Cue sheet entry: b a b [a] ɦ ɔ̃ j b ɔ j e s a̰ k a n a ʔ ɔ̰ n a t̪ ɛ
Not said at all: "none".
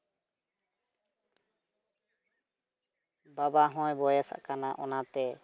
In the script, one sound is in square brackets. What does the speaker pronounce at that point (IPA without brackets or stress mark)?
a